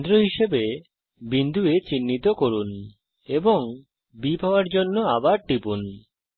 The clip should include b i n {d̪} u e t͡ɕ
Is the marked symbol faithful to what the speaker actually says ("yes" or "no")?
yes